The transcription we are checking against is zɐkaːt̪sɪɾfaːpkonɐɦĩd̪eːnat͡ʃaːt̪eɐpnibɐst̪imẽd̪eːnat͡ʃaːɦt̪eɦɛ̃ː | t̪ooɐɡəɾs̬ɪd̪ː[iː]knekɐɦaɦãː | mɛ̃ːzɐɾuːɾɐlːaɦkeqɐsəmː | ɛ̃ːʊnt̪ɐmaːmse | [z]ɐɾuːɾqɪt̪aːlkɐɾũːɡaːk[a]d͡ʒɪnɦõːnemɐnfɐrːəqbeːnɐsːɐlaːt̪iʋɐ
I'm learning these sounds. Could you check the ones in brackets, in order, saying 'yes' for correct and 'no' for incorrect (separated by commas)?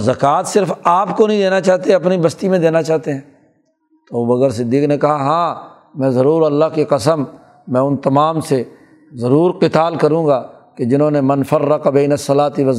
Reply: yes, yes, no